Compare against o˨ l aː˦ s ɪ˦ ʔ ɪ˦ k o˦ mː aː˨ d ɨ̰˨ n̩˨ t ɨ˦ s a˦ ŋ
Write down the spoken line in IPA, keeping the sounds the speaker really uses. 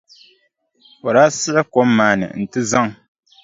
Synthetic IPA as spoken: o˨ ɾ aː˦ s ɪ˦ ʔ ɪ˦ k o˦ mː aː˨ n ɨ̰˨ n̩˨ t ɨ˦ z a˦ ŋ